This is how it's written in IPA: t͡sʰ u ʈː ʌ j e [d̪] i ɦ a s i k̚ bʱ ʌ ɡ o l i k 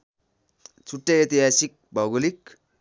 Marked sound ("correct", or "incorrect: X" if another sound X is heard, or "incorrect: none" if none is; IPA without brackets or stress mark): incorrect: t̪